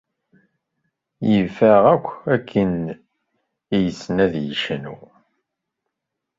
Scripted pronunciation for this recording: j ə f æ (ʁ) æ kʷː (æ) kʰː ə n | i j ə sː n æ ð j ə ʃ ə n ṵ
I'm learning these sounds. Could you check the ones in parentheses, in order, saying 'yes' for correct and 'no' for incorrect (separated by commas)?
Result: yes, yes